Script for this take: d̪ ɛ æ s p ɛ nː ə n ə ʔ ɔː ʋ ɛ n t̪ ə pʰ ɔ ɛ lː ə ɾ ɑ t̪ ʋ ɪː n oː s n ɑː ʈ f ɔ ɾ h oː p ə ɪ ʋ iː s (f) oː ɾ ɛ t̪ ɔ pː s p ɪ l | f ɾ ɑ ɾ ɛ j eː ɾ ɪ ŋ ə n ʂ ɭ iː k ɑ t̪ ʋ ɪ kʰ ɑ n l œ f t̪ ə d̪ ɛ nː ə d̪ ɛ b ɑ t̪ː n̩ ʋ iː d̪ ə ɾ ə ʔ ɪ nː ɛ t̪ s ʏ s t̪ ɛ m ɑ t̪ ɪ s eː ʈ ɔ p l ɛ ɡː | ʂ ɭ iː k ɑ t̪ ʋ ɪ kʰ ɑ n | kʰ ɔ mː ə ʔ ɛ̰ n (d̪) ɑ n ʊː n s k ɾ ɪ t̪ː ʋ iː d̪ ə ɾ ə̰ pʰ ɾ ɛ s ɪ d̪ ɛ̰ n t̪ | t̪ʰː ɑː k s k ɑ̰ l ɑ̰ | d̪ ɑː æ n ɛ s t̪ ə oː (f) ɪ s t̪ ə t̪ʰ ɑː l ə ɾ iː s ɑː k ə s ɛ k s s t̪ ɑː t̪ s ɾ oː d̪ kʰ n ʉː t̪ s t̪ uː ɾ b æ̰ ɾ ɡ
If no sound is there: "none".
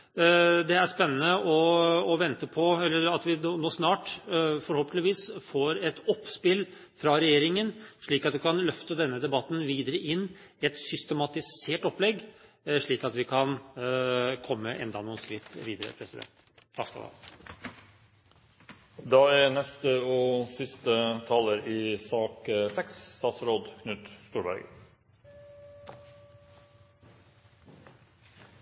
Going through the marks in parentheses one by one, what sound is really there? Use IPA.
f, d̪, s

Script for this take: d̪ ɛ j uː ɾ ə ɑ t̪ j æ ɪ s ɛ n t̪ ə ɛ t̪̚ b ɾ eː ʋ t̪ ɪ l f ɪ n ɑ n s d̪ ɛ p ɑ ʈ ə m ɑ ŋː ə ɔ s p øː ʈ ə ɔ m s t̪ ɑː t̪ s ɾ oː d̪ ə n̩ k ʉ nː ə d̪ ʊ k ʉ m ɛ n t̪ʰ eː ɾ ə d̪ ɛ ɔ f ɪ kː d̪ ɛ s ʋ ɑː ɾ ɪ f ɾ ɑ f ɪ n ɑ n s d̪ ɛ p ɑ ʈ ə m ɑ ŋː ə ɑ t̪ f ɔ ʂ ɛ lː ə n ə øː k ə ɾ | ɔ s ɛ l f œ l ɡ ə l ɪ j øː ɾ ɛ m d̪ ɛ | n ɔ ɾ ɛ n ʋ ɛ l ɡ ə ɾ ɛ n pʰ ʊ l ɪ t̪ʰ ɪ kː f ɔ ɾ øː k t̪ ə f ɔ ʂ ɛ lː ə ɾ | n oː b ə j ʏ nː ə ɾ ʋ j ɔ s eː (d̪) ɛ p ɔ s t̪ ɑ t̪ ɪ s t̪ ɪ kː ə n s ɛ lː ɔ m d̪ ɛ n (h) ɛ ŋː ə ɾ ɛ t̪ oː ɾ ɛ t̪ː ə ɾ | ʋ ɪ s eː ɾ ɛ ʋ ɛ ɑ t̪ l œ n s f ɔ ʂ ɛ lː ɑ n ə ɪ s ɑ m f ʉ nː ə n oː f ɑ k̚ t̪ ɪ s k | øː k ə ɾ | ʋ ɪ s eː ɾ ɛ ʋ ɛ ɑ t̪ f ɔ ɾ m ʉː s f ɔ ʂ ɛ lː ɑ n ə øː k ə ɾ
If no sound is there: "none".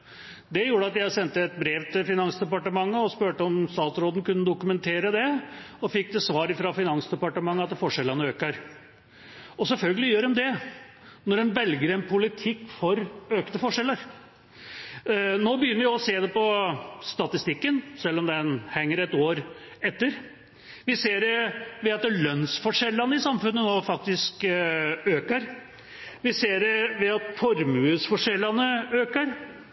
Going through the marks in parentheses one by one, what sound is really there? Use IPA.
d̪, h

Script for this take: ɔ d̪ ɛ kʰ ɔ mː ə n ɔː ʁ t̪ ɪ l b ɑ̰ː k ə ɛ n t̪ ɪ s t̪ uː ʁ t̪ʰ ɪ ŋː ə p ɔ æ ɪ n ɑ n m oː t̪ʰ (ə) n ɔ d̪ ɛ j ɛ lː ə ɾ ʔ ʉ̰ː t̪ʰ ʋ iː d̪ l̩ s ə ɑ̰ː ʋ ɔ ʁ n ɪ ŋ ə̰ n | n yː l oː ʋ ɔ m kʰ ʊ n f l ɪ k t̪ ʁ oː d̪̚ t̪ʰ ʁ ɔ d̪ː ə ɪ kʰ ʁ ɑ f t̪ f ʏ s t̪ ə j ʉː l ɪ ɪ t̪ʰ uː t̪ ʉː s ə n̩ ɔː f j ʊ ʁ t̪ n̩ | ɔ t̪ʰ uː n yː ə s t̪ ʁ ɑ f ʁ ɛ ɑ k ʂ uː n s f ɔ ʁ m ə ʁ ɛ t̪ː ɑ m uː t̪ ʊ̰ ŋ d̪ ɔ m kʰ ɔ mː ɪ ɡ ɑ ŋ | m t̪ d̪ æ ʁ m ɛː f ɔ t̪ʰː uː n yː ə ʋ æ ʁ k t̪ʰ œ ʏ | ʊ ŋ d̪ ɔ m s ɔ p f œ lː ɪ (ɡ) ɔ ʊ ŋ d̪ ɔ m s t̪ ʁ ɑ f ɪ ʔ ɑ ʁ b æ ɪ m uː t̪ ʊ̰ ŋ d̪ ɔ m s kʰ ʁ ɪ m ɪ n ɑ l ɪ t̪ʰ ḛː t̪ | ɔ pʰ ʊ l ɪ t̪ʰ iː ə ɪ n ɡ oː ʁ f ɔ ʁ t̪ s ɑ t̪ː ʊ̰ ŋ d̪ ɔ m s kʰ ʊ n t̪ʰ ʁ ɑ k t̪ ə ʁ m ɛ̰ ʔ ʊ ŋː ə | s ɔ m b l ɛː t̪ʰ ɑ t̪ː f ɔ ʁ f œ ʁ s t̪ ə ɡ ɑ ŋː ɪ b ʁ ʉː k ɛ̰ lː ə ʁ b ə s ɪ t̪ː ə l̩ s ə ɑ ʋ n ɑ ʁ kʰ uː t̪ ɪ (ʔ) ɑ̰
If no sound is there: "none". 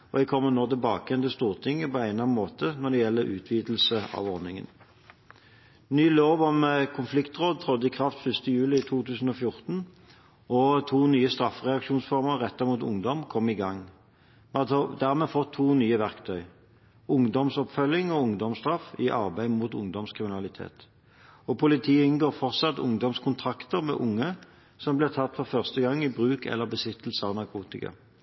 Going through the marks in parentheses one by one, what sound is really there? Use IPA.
ə, ŋ, k

